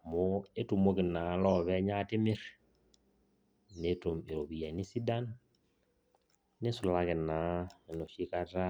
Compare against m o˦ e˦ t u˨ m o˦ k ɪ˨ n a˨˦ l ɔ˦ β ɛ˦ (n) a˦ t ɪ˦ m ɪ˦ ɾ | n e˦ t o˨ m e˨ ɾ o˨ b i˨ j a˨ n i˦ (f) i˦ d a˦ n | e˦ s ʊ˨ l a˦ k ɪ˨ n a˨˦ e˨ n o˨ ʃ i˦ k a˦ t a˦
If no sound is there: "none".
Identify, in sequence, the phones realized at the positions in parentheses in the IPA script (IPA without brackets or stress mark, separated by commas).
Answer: ɲ, s